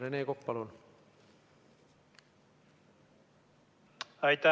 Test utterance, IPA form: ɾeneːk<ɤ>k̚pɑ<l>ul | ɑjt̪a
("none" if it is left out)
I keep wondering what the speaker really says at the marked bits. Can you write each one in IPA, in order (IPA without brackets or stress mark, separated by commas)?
o, l